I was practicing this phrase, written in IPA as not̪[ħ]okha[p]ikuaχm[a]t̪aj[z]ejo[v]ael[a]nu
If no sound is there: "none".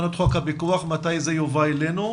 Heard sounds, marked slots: χ, b, a, z, v, e

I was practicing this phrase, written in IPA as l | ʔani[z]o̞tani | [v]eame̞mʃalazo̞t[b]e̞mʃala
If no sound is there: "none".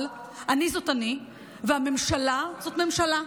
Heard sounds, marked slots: z, v, m

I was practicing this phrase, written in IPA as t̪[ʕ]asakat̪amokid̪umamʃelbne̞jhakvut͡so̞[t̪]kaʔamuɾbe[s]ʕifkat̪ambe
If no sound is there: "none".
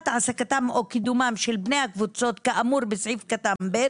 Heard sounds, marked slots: ʕ, t̪, s

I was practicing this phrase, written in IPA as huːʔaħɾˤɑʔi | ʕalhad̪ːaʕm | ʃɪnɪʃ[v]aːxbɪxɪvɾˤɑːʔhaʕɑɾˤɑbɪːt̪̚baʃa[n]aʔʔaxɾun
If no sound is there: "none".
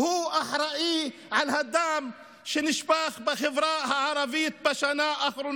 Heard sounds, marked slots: b, n

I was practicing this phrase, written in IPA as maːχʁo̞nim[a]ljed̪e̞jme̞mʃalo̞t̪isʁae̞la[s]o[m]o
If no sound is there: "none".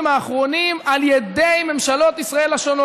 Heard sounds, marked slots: a, ʃ, n

